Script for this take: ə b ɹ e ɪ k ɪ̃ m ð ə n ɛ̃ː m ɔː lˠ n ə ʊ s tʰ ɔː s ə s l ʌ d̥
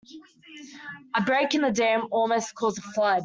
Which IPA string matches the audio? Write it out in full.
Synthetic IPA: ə b ɹ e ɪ k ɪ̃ n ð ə d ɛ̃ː m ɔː lˠ m ə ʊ s kʰ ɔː z ə f l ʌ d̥